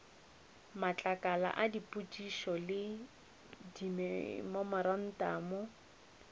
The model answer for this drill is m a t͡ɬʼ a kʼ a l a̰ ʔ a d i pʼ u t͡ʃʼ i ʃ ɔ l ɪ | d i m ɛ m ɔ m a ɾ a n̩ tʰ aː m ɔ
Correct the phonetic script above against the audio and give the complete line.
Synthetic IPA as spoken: m a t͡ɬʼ a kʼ a l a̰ ʔ a d i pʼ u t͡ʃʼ i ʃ ɔ l ɪ | d i m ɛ m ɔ m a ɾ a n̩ t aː m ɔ

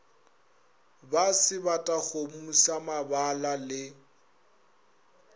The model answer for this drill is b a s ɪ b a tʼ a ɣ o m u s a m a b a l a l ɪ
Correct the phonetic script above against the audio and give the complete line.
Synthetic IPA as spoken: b a s ɪ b a tʼ a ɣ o m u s a m a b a l a l ɪ

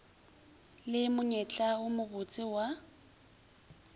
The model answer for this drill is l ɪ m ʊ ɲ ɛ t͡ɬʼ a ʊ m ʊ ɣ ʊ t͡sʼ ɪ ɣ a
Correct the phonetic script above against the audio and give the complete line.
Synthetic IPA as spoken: l ɪ m ʊ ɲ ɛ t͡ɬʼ a ʊ m ʊ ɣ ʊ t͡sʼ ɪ w a

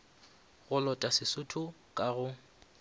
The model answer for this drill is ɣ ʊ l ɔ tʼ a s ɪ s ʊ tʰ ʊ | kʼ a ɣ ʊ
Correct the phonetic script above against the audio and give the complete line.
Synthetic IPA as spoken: ɣ ʊ l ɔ tʼ a s ɪ s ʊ tʰ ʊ | kʼ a ɣ ʊ

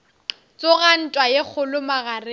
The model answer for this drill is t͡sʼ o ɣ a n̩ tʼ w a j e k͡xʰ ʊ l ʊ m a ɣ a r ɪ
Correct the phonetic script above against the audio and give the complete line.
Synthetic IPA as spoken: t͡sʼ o ɣ a n̩ tʼ w a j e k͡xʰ ʊ l ʊ m a ɣ a r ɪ

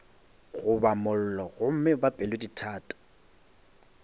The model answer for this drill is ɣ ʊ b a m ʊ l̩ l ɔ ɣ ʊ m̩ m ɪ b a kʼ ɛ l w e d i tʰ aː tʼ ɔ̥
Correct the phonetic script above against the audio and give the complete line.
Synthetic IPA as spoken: ɣ ʊ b a m ʊ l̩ l ɔ ɣ ʊ m̩ m ɪ b a pʼ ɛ l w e d i tʰ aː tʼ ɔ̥

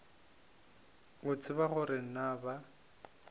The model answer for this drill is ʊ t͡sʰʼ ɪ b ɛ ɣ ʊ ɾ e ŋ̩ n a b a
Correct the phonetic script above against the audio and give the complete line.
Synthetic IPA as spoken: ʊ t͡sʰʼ ɪ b a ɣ ʊ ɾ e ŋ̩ n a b a

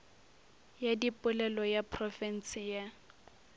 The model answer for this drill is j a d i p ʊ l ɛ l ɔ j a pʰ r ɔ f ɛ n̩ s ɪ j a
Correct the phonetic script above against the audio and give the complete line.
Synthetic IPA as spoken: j a d i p ʊ l ɛ l ɔ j a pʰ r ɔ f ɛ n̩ s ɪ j a

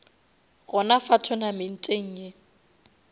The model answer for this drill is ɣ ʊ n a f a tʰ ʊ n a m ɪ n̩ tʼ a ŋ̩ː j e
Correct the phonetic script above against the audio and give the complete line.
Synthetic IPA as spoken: ɣ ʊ n a f a tʰ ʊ n a m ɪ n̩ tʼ e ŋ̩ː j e

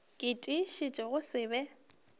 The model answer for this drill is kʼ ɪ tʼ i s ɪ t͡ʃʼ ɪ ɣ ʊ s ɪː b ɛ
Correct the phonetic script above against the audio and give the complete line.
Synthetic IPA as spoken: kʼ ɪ tʼ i ʃ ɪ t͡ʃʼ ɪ ɣ ʊ s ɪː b ɛ

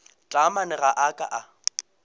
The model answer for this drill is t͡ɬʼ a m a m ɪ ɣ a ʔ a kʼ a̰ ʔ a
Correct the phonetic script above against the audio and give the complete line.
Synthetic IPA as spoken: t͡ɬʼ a m a n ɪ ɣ a ʔ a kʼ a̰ ʔ a

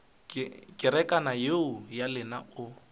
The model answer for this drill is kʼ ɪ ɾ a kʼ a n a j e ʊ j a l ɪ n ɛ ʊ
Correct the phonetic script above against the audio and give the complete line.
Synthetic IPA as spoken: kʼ ɪ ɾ ɛ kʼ a n a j e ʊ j a l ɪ n a ʊ

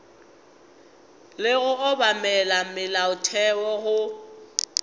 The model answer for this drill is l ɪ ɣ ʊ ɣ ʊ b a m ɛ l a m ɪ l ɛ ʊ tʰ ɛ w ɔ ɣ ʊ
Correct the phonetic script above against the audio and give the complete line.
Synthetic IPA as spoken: l ɪ ɣ ʊ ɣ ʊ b a m ɛ l a m ɪ l a ʊ tʰ ɛ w ɔ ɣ ʊ

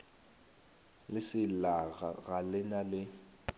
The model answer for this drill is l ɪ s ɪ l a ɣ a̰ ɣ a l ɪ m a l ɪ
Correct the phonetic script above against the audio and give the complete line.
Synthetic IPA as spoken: l ɪ s ɪ l a ɣ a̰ ɣ a l ɪ n a l ɪ

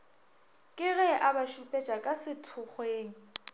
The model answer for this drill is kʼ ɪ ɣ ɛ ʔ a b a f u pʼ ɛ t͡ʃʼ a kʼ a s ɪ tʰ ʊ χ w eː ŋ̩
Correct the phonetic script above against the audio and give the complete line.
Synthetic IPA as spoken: kʼ ɪ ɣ ɛ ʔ a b a ʃ u pʼ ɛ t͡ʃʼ a kʼ a s ɪ tʰ ʊ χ w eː ŋ̩

